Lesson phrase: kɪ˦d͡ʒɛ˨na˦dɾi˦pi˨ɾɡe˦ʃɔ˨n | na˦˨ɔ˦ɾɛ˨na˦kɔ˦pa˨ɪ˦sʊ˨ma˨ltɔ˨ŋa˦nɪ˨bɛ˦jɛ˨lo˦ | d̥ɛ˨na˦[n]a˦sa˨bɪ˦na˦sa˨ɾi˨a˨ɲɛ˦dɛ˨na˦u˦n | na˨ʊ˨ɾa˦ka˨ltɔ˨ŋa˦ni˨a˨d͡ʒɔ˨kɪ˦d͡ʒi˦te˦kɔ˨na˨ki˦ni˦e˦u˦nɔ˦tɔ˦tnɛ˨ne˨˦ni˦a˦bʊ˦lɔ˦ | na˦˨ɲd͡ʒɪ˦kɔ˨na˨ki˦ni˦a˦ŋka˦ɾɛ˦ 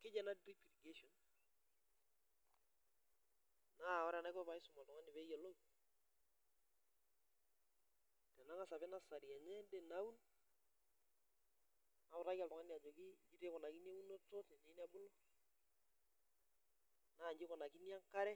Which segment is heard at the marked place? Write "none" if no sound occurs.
ŋ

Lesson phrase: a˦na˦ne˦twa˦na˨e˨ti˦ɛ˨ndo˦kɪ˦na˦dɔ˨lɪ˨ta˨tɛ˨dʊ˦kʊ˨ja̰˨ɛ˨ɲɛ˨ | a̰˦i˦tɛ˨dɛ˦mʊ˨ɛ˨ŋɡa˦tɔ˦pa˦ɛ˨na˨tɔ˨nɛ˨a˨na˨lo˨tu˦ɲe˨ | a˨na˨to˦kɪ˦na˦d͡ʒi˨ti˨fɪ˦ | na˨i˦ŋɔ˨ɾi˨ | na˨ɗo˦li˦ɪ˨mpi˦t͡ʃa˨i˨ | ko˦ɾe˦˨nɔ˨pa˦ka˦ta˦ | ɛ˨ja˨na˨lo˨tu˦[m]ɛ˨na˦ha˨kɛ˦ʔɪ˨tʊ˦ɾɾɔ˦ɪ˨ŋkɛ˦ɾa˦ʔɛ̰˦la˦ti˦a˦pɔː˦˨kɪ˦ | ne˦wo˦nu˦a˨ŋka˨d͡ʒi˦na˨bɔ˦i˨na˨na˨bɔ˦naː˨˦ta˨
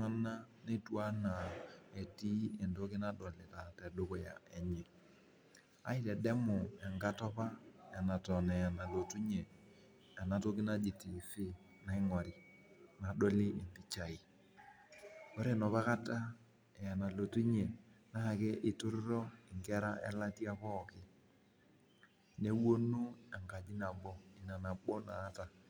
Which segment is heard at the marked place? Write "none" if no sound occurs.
ɲ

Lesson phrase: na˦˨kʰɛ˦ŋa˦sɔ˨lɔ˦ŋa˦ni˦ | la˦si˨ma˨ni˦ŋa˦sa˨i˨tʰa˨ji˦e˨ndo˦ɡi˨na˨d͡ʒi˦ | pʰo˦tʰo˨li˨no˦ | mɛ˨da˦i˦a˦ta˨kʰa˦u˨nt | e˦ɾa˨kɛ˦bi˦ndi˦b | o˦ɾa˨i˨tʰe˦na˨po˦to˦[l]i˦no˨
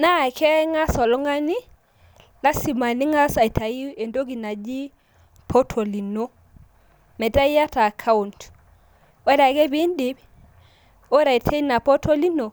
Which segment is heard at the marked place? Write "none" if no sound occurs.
l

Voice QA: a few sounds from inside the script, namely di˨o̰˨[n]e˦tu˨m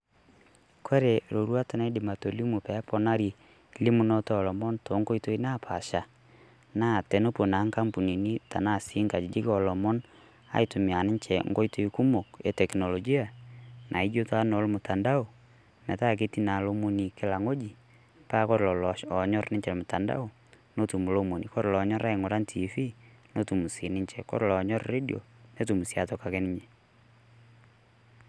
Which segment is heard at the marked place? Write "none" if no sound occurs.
n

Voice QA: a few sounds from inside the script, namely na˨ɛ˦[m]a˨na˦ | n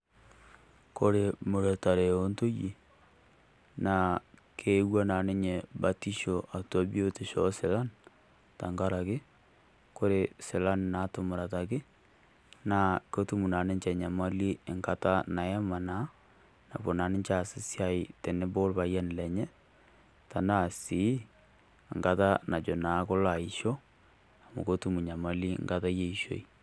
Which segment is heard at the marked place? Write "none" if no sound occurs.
m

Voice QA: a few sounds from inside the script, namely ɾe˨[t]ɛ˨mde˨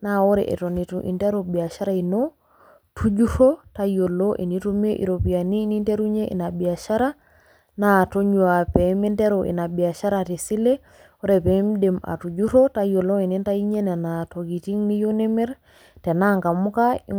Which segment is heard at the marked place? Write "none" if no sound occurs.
p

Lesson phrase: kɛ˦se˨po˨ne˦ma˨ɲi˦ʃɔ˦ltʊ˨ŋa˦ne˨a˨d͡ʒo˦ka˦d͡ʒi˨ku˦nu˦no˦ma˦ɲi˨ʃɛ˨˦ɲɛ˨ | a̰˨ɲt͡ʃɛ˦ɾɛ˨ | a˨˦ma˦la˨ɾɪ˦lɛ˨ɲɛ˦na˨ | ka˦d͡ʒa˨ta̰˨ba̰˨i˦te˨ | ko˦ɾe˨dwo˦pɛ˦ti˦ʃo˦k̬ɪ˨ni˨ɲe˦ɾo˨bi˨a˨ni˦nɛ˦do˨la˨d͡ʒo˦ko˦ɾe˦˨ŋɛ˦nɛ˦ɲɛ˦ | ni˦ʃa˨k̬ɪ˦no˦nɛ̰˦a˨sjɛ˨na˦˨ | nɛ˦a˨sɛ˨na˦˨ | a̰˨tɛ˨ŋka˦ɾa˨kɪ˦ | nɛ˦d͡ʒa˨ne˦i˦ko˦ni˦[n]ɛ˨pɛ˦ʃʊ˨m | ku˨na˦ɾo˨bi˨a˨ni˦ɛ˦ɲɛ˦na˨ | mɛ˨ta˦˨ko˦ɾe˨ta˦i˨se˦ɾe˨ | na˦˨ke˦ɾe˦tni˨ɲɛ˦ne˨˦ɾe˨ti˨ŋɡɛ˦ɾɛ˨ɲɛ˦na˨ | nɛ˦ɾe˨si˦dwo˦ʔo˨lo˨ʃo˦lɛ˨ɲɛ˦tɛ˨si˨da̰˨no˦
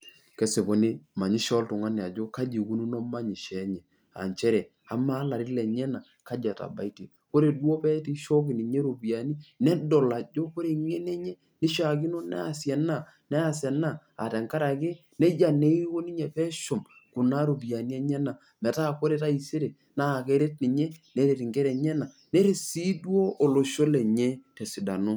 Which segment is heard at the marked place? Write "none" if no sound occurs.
ɲ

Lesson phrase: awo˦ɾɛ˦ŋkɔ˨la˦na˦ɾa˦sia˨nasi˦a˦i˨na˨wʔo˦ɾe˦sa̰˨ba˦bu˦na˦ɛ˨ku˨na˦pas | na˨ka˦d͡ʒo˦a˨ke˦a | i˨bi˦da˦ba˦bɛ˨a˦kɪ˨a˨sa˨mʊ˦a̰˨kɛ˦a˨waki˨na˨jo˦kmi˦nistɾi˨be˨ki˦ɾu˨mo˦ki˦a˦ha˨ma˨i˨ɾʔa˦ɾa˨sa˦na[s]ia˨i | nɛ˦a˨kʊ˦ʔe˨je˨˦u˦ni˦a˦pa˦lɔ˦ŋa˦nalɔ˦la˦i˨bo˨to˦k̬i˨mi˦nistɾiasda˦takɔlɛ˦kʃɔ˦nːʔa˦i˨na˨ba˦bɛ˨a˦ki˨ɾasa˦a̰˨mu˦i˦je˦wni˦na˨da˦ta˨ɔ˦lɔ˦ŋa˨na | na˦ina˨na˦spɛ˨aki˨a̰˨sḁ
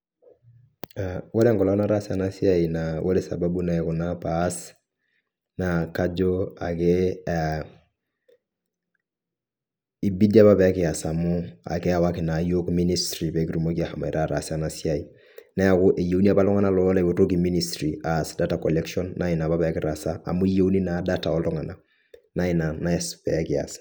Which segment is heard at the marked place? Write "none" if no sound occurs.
s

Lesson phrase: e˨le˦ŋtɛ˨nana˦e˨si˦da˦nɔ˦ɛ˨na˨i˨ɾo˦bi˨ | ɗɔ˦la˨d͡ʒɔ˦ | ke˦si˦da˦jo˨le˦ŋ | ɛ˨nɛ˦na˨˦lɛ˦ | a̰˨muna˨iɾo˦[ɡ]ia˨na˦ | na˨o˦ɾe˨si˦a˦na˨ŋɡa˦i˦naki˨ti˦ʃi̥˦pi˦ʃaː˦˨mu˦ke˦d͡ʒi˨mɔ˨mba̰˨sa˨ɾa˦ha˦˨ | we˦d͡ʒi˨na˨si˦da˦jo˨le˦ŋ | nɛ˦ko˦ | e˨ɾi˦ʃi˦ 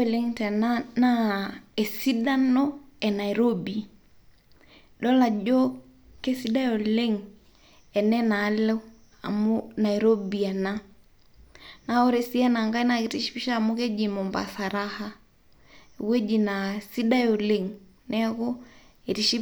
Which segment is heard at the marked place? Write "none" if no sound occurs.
b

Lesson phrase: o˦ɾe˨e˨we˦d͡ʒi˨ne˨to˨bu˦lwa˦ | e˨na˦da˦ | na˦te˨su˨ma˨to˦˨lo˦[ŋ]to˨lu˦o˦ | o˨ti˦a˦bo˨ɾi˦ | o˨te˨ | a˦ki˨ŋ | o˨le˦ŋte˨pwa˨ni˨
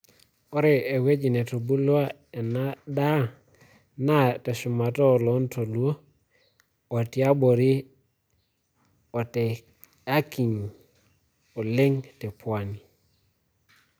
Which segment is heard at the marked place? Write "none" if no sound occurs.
n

